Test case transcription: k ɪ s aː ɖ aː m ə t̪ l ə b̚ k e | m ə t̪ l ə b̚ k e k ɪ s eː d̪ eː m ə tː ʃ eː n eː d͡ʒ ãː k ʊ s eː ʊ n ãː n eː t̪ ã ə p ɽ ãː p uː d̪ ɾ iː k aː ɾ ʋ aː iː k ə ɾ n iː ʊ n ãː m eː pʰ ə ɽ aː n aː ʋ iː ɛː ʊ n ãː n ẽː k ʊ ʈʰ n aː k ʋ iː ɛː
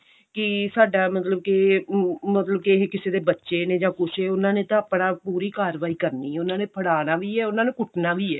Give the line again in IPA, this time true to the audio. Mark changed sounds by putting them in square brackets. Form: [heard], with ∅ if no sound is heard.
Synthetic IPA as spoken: k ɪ s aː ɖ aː m ə t̪ l ə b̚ k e | m ə t̪ l ə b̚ k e k ɪ s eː d̪ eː [b] ə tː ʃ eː n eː d͡ʒ ãː k ʊ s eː ʊ n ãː n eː t̪ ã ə p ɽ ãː p uː [∅] ɾ iː k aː ɾ ʋ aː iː k ə ɾ n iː ʊ n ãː [n] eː pʰ ə ɽ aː n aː ʋ iː ɛː ʊ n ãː n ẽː k ʊ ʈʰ n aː [∅] ʋ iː ɛː